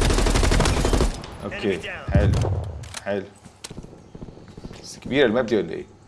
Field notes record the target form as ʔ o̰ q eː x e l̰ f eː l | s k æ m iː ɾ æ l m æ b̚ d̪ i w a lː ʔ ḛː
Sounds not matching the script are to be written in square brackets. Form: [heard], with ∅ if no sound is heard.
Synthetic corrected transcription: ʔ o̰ [k] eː [ħ] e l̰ [ħ] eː l | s k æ [b] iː ɾ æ l m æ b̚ d̪ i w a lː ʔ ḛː